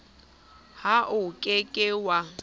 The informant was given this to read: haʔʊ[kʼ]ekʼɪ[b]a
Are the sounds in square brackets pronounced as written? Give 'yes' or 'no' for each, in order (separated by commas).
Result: yes, no